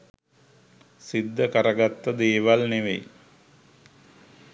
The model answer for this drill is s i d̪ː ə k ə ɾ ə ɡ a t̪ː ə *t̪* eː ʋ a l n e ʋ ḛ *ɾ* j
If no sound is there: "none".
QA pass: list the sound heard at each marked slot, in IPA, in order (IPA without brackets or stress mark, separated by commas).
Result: d̪, none